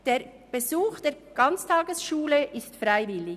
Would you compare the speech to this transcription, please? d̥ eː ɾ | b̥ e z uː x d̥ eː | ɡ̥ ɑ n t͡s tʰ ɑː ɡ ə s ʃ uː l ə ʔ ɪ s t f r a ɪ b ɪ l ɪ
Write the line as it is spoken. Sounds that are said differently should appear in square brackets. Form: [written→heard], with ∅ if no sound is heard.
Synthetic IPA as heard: d̥ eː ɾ | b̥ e z uː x d̥ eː | ɡ̥ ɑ n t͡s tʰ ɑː ɡ ə s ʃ uː l ə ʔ ɪ s t f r a ɪ [b→v] ɪ l ɪ